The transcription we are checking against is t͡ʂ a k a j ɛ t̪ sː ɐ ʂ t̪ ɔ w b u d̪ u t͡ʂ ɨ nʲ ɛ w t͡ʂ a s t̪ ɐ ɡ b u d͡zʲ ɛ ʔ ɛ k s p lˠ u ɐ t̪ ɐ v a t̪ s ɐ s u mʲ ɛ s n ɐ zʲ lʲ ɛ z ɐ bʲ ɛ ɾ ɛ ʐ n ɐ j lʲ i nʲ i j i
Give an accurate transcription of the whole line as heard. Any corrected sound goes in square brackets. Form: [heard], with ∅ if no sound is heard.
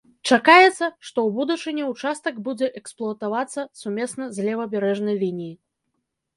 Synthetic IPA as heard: t͡ʂ a k a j ɛ t̪ sː ɐ ʂ t̪ ɔ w b u d̪ u t͡ʂ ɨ nʲ ɛ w t͡ʂ a s t̪ ɐ ɡ b u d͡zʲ ɛ ʔ ɛ k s p lˠ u ɐ t̪ [a] v a t̪ [sː] ɐ s u mʲ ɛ s n ɐ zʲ lʲ ɛ [v] ɐ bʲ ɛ ɾ ɛ ʐ n ɐ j lʲ i nʲ i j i